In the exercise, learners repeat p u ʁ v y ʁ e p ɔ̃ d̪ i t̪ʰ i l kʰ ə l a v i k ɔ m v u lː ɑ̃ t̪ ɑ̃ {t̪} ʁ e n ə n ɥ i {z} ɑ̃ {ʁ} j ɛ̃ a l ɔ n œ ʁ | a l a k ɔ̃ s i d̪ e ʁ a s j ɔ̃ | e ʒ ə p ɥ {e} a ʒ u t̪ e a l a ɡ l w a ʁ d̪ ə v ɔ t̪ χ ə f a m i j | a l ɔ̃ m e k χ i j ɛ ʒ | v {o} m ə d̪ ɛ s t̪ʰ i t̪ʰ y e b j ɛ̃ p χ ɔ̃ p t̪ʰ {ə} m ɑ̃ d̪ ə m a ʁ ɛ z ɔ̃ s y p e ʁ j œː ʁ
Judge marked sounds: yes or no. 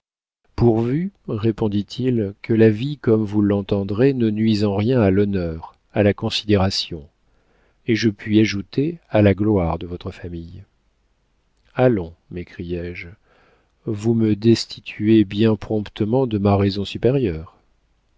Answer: no, yes, yes, no, no, yes

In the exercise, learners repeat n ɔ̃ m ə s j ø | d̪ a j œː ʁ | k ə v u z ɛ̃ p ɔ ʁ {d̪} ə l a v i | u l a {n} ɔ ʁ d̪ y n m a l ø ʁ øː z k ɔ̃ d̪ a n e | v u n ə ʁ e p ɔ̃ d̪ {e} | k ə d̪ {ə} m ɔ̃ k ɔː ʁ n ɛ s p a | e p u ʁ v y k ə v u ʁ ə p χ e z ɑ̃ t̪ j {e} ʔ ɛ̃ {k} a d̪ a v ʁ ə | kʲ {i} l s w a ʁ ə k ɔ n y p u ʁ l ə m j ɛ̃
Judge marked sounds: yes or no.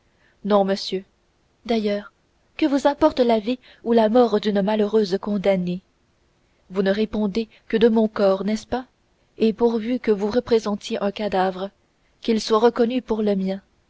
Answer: no, no, yes, yes, yes, yes, yes

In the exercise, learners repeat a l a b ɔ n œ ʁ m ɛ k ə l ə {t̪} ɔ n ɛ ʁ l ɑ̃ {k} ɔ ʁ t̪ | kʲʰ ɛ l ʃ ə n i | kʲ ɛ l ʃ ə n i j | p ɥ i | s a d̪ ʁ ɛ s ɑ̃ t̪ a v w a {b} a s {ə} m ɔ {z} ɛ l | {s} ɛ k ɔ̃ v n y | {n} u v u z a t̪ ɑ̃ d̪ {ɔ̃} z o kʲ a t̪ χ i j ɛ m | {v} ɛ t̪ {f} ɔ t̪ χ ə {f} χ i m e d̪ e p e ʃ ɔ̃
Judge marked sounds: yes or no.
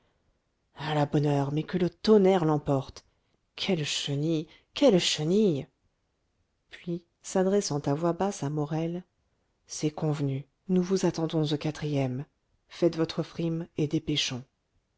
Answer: yes, no, yes, no, no, yes, yes, yes, no, no, yes

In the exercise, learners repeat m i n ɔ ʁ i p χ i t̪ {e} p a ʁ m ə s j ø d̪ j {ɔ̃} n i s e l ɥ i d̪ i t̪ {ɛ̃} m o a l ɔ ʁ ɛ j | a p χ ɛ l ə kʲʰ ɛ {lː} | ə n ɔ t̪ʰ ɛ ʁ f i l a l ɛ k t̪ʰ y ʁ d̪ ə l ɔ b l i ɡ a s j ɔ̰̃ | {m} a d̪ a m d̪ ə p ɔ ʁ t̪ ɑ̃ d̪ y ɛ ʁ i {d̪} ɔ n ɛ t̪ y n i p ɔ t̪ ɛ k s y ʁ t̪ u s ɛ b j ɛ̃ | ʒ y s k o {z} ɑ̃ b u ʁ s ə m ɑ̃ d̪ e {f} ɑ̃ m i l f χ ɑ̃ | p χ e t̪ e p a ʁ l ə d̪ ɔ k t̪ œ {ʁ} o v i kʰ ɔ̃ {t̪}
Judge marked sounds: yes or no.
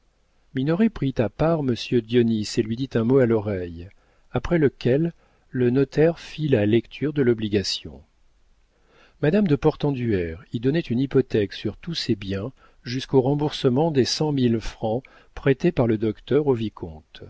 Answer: no, no, yes, yes, yes, yes, no, no, yes, yes

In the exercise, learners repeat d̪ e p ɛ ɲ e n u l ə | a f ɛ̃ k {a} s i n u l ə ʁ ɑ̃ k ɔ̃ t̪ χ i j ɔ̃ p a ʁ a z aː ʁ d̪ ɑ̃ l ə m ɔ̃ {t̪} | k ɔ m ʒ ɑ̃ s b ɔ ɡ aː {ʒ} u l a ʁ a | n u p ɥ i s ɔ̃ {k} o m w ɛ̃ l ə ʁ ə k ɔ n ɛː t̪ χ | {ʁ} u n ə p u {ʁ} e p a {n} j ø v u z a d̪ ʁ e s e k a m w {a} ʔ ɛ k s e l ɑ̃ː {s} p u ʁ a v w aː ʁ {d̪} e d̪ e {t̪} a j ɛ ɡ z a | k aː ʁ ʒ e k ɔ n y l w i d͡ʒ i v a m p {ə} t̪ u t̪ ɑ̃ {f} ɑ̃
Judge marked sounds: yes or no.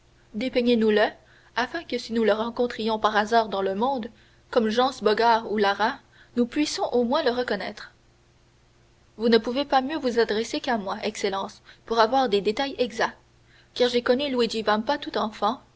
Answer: no, no, no, no, no, no, no, yes, yes, yes, yes, no, yes

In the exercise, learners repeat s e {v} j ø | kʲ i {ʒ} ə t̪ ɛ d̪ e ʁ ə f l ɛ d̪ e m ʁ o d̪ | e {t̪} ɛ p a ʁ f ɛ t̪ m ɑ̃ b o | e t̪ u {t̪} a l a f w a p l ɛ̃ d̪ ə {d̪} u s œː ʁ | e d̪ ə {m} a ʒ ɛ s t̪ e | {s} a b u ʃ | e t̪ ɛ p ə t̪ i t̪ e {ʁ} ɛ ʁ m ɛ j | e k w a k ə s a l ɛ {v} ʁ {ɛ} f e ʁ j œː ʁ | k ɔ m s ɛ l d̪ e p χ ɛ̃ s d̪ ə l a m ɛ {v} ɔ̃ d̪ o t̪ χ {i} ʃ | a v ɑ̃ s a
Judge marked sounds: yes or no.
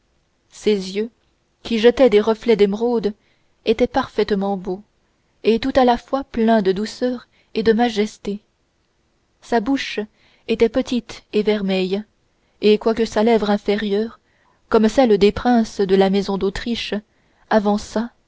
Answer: no, yes, yes, yes, yes, yes, yes, no, yes, no, no, yes

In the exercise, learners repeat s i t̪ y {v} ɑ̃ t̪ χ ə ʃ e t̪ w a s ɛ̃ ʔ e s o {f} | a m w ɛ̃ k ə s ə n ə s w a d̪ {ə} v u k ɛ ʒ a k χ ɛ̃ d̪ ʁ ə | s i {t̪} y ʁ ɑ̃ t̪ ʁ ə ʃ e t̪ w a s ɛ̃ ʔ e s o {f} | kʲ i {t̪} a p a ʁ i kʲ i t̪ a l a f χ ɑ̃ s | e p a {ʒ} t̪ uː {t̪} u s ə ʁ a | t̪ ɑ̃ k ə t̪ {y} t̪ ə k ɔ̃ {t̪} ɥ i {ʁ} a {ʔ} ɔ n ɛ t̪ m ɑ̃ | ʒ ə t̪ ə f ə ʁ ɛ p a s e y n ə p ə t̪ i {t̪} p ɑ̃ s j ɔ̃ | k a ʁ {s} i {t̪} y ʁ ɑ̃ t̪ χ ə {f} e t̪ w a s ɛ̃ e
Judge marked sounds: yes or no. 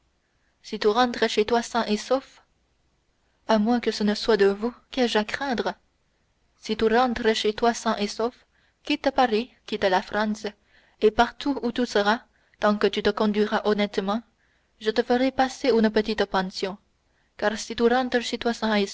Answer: no, yes, yes, yes, yes, yes, no, yes, yes, no, yes, yes, yes, yes, yes, no

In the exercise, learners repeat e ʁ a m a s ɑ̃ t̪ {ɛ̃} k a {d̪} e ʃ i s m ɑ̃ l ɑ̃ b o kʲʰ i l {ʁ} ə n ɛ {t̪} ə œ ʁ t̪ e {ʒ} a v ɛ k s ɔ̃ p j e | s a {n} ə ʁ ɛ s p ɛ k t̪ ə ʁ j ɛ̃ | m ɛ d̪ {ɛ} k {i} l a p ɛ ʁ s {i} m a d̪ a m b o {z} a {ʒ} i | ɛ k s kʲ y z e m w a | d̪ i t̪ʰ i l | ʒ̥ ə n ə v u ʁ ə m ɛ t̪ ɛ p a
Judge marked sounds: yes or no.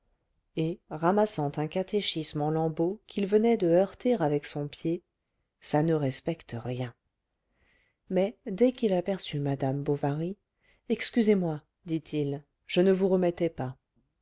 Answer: yes, no, no, no, no, yes, yes, yes, no, no, no

